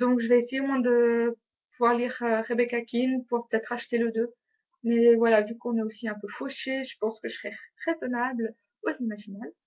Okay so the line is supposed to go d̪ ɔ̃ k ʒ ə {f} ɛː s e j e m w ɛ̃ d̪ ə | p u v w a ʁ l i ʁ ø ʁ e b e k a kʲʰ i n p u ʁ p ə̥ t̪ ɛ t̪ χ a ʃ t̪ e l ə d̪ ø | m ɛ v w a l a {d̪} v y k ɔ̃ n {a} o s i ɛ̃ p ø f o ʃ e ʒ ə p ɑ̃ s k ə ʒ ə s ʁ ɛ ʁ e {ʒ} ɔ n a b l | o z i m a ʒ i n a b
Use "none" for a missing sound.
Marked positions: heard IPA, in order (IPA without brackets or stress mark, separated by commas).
v, none, ɛ, z